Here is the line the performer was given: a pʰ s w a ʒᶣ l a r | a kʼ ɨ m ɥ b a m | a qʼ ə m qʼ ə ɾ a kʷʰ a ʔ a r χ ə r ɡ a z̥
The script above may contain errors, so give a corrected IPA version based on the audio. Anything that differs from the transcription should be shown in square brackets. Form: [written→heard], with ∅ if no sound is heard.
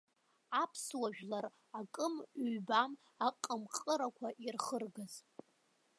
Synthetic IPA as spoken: a pʰ s w a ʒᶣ l a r | a kʼ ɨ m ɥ b a m | a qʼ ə m qʼ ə ɾ a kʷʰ a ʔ [a→i] r χ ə r ɡ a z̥